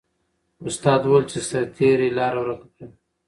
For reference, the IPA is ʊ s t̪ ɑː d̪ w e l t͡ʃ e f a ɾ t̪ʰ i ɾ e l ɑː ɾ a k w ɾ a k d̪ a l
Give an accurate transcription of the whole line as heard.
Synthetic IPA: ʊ s t̪ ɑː d̪ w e l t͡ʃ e s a ɾ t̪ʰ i ɾ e l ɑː ɾ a w ɾ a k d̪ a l